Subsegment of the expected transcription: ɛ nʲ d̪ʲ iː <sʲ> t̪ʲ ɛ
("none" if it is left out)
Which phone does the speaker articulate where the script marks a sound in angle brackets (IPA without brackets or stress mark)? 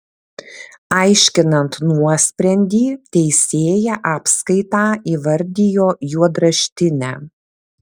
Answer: none